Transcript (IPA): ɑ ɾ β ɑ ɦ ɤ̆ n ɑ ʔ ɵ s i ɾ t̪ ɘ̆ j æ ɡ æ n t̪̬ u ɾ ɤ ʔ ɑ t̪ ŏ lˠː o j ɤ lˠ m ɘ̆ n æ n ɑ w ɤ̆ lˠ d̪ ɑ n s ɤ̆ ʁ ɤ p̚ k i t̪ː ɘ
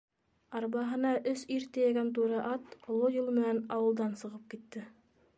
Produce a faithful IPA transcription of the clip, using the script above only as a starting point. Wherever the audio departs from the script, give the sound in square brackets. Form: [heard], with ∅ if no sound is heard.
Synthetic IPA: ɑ ɾ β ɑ ɦ ɤ̆ n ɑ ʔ ɵ s i ɾ t̪ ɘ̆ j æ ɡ æ n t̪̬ u ɾ ɤ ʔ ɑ t̪ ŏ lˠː o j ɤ lˠ m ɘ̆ n æ n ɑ w ɤ̆ lˠ d̪ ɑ n s ɤ̆ ʁ ɤ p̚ k i t̪ː ɘ